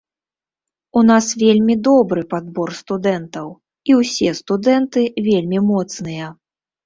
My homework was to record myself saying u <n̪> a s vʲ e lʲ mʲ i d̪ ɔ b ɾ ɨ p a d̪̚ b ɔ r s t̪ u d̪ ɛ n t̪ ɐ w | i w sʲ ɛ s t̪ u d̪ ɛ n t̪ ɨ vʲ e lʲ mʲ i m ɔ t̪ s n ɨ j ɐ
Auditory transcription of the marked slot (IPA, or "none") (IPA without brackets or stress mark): n̪